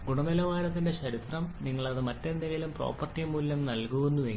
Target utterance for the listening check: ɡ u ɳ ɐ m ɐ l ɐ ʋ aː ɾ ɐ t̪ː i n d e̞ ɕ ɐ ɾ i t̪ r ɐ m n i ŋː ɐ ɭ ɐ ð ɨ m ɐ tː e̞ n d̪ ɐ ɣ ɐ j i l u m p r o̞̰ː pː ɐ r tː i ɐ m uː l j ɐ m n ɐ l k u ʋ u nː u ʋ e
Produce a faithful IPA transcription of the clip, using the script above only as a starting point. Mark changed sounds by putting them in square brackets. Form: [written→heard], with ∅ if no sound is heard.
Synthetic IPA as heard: ɡ u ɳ ɐ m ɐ l ɐ ʋ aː ɾ ɐ t̪ː i n d e̞ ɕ ɐ ɾ i t̪ r ɐ m n i ŋː ɐ ɭ ɐ ð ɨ m ɐ tː e̞ n d̪ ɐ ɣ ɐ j i l u m p r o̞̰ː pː ɐ r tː i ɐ m uː l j ɐ m n ɐ l k u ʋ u nː u ʋ e